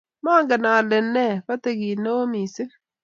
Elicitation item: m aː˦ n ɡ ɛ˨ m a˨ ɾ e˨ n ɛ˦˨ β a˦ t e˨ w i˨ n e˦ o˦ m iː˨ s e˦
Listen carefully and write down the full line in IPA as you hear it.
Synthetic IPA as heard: m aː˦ ŋ ɡ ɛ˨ n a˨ l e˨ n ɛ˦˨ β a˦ t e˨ ɣ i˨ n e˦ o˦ m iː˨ s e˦